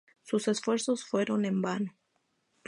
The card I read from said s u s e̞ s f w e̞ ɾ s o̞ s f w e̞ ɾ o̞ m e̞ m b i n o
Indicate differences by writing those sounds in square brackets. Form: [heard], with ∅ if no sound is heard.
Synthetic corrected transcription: s u s e̞ s f w e̞ ɾ s o̞ s f w e̞ ɾ o̞ [n] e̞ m b [a] n o